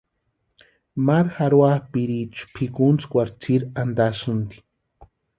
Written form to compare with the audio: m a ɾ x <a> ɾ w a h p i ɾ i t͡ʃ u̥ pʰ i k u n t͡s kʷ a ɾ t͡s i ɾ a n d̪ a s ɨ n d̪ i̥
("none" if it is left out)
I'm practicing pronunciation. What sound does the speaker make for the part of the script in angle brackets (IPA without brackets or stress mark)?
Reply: a